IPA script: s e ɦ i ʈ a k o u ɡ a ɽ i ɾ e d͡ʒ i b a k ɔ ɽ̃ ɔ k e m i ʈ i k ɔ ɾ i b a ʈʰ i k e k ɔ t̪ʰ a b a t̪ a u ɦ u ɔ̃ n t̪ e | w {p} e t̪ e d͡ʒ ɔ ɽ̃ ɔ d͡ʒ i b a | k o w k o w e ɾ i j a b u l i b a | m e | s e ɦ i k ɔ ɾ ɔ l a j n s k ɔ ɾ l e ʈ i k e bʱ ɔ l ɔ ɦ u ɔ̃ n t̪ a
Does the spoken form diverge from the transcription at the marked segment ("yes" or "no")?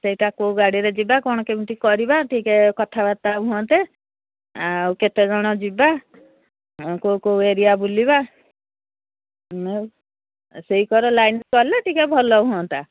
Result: yes